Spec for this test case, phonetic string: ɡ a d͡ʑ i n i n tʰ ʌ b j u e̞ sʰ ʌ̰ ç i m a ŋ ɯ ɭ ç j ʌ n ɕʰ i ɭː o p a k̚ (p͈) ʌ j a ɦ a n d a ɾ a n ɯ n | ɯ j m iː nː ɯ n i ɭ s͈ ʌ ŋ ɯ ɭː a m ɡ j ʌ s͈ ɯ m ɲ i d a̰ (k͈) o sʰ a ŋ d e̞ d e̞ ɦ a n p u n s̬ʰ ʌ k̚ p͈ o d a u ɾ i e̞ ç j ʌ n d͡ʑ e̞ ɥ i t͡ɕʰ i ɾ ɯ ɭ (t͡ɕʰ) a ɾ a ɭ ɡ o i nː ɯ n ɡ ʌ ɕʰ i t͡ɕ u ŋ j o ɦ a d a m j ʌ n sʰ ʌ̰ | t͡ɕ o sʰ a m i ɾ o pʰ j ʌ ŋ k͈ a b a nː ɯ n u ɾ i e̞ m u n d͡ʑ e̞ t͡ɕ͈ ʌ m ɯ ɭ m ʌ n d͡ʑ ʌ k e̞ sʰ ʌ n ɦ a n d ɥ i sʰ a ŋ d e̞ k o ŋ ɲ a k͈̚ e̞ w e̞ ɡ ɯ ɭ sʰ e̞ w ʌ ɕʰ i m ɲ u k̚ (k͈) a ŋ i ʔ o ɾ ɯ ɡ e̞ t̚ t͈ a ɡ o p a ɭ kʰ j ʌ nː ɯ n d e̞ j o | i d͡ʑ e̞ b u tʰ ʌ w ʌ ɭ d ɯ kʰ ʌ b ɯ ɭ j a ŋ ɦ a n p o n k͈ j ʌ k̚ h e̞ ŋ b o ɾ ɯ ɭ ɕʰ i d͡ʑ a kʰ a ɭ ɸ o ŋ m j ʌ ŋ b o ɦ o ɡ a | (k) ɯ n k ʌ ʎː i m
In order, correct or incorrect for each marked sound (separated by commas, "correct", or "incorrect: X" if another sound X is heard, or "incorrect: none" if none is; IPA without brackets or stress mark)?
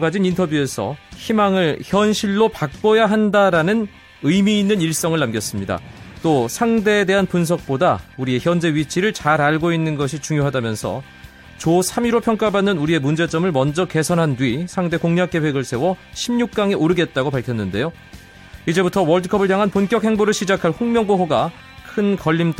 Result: correct, incorrect: t͈, incorrect: t͡ɕ, correct, incorrect: kʰ